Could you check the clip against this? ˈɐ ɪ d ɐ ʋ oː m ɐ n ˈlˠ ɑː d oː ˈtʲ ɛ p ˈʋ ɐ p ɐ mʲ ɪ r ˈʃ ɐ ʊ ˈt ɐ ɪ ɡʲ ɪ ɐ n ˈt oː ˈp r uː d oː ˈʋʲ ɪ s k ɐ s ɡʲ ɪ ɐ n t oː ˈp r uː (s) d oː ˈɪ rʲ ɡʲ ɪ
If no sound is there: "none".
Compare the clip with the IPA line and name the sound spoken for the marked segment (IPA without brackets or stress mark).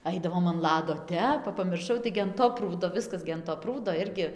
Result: none